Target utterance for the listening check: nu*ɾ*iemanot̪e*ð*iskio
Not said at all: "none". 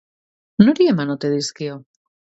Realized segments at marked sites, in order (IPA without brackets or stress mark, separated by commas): ɾ, ð